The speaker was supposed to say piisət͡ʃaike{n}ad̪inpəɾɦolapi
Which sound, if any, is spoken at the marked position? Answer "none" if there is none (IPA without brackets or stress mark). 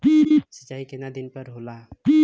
n